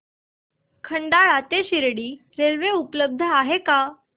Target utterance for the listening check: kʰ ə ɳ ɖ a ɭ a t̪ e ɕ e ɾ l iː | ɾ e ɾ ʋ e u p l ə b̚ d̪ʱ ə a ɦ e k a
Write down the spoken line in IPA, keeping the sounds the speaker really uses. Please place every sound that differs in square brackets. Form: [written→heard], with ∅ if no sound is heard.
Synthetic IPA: kʰ ə ɳ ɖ a ɭ a t̪ e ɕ [e→i] ɾ [l→ɽ] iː | ɾ e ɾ ʋ e u p l ə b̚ d̪ʱ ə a ɦ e k a